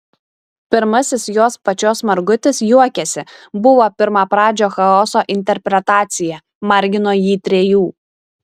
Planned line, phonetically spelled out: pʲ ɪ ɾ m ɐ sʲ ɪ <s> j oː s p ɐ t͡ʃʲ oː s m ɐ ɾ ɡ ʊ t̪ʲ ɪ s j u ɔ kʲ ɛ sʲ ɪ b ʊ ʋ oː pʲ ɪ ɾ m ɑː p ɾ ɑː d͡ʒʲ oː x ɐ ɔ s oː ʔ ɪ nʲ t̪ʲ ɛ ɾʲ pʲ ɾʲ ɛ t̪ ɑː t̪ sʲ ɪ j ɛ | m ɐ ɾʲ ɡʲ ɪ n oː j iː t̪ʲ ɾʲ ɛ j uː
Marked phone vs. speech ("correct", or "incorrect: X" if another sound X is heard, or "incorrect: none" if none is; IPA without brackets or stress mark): correct